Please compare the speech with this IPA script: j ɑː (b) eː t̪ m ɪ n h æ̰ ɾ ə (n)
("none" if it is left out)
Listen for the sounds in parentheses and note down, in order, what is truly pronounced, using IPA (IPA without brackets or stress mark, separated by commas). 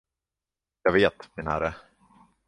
v, none